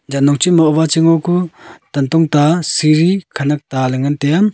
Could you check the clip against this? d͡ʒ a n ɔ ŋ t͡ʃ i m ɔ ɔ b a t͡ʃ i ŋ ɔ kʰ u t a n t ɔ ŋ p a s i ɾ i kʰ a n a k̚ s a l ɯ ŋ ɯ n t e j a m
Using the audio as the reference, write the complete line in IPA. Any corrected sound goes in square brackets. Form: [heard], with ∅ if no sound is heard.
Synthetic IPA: d͡ʒ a n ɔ ŋ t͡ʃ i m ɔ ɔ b a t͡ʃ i ŋ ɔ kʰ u t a n t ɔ ŋ [t] a s i ɾ i kʰ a n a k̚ [t] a l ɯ ŋ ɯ n t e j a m